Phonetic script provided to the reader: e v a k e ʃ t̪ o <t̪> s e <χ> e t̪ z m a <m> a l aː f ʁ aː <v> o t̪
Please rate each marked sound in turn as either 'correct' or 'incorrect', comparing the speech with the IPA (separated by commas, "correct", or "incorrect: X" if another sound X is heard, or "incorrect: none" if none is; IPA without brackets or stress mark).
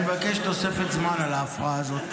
incorrect: none, incorrect: f, incorrect: n, incorrect: z